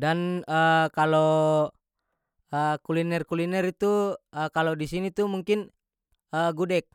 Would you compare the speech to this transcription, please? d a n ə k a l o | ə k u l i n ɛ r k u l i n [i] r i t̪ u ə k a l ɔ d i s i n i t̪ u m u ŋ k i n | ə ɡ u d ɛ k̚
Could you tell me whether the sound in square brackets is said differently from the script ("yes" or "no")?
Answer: yes